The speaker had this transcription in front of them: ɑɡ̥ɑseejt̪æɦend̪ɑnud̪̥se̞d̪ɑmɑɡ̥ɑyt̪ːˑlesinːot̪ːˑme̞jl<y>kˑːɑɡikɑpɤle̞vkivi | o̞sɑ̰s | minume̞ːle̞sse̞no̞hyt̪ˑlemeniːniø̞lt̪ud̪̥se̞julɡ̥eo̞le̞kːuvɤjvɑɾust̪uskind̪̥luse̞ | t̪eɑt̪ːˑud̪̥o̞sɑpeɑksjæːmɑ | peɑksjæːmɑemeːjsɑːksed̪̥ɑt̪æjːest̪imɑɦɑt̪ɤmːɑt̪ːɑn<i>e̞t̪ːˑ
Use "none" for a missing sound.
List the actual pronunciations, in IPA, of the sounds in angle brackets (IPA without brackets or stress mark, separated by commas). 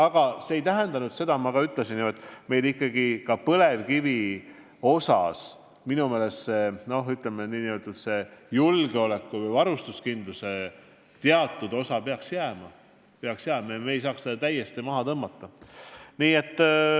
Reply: i, iː